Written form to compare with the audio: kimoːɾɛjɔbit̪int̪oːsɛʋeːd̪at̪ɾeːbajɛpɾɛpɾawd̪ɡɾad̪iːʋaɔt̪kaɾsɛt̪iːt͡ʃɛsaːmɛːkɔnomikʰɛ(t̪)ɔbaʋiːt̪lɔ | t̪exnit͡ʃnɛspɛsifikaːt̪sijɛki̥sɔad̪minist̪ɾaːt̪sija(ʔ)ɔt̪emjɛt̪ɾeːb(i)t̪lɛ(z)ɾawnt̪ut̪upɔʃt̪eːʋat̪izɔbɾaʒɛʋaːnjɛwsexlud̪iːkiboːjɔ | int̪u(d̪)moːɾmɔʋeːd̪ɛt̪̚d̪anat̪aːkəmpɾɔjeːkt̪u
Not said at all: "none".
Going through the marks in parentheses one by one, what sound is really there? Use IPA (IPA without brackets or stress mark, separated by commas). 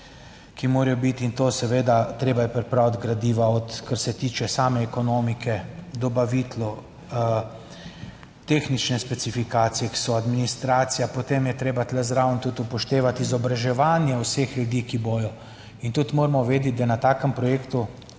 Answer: d̪, p, a, z, t̪